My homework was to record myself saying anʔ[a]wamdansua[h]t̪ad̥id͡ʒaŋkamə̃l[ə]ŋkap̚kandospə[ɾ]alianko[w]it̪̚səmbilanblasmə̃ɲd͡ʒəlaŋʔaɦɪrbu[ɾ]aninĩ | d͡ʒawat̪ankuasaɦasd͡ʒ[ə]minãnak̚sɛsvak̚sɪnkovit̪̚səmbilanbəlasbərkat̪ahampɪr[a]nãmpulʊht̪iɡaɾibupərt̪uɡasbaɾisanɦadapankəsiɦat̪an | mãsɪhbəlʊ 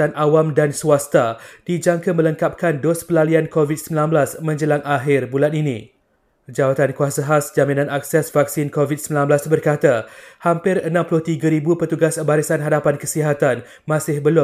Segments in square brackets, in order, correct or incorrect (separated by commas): correct, incorrect, correct, incorrect, incorrect, incorrect, incorrect, incorrect